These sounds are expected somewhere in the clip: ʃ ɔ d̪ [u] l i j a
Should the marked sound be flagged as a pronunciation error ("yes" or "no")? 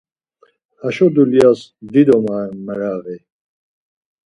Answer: no